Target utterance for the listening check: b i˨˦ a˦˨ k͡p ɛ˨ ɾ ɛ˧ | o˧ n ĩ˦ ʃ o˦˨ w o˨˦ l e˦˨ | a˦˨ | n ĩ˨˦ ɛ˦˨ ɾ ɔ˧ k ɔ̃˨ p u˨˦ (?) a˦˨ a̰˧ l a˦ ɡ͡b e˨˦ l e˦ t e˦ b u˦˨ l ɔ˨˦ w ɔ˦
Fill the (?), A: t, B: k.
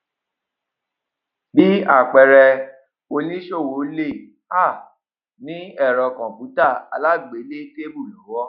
A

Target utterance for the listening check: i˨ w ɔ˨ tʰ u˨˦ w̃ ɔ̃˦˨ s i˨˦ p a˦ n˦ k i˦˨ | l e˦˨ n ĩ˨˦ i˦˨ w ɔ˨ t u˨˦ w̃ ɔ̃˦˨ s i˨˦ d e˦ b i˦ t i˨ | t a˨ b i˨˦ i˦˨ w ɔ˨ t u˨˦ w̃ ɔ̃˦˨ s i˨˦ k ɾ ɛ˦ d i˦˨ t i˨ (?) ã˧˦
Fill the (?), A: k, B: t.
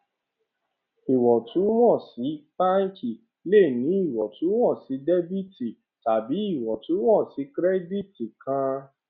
A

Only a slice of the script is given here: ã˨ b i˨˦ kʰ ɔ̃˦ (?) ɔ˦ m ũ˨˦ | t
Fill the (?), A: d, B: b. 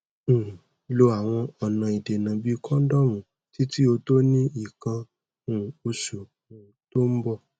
A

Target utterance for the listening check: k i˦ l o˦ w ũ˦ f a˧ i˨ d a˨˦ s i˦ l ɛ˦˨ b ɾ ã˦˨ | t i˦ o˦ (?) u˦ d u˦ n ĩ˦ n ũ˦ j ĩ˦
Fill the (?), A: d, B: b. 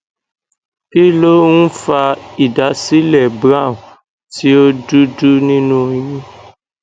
A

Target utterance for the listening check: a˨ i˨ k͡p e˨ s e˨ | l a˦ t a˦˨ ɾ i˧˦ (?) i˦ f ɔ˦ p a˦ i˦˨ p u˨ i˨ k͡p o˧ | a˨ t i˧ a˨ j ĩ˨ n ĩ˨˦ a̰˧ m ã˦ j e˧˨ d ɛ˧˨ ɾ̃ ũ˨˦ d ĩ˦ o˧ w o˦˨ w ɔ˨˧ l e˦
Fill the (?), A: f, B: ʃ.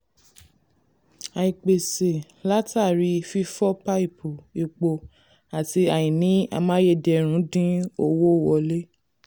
A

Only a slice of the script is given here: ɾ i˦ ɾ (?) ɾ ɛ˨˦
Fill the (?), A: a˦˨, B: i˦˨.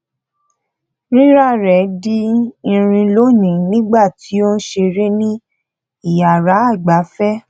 A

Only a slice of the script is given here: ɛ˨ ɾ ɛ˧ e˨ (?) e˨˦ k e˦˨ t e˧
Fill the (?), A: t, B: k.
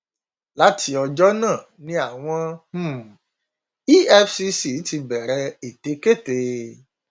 A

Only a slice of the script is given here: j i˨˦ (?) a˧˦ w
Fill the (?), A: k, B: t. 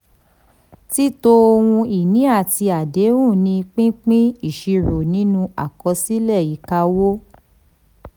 A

